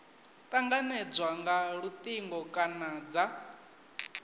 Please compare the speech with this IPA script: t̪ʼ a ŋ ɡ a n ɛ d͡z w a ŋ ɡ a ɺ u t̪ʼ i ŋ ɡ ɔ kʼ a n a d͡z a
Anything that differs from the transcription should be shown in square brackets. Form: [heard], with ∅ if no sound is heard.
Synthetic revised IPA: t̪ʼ a ŋ ɡ a n ɛ d͡z w a ŋ ɡ a ɺ u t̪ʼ i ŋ ɡ ɔ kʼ a n a d͡z a